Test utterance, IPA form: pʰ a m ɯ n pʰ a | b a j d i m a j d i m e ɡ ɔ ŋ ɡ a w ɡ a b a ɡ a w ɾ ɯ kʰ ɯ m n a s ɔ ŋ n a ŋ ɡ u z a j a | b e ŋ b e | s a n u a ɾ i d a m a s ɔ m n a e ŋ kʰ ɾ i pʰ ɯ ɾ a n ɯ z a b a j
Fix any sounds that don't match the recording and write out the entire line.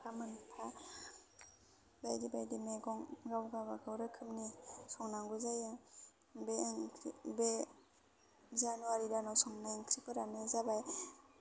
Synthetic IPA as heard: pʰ a m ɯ n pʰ a | b a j d i b a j d i m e ɡ ɔ ŋ ɡ a w ɡ a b a ɡ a w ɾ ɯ kʰ ɯ m n i s ɔ ŋ n a ŋ ɡ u z a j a | b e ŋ b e | z a n u a ɾ i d a n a s ɔ ŋ n a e ŋ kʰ ɾ i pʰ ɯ ɾ a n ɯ z a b a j